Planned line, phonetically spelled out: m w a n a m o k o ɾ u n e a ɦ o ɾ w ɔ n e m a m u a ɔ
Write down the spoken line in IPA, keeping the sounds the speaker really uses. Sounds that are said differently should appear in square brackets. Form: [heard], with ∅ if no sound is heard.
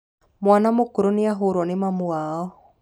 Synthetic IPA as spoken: m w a n a m o k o ɾ [o] n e a ɦ o ɾ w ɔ n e m a m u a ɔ